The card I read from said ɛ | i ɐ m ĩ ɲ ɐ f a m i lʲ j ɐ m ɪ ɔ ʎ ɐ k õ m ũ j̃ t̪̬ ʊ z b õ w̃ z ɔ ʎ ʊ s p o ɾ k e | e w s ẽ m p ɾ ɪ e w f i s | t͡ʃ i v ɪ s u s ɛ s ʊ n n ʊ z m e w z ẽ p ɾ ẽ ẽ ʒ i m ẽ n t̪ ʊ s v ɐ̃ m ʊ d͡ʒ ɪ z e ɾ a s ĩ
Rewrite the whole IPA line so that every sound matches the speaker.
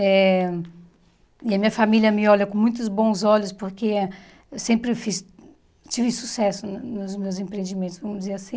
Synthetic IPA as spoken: ɛ | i ɐ m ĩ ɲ ɐ f a m i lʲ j ɐ m ɪ ɔ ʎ ɐ k õ m ũ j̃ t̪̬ ʊ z b õ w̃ z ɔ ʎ ʊ s p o ɾ k e | e w s ẽ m p ɾ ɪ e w f i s | t͡ʃ i v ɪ s u s ɛ s ʊ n n ʊ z m e w z ẽ p ɾ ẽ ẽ d͡ʒ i m ẽ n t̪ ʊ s v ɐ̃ m ʊ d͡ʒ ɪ z e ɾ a s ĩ